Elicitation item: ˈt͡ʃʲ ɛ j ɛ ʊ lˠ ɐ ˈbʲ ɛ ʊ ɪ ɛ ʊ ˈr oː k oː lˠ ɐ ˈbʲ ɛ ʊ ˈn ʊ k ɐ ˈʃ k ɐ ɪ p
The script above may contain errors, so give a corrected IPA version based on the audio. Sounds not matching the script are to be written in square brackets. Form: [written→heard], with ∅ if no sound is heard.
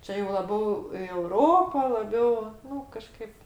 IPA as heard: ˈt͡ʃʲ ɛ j ɛ ʊ lˠ ɐ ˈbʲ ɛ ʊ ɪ ɛ ʊ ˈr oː [k→p] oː lˠ ɐ ˈbʲ ɛ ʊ ˈn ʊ k ɐ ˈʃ k ɐ ɪ p